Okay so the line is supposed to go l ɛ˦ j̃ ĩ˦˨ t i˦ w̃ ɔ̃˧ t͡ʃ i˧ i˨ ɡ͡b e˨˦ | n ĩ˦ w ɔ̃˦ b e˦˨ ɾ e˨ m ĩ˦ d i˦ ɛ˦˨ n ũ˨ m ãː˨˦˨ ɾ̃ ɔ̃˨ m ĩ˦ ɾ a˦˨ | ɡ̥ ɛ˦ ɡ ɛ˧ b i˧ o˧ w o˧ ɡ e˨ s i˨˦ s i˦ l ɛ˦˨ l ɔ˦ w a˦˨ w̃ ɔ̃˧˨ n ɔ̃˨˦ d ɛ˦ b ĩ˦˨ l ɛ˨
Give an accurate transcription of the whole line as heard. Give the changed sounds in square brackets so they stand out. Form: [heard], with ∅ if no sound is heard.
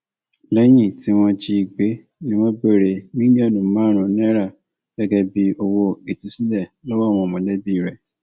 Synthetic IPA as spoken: l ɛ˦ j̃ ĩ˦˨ t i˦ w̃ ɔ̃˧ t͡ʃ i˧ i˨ ɡ͡b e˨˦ | n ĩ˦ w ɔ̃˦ b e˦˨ ɾ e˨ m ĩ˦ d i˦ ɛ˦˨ n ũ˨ m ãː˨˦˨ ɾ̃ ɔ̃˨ [n] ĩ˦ ɾ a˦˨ | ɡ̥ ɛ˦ ɡ ɛ˧ b i˧ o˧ w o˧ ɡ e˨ [t] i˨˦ s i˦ l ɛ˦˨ l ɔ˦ w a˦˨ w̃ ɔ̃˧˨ [m] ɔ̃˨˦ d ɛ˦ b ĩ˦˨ [ɾ] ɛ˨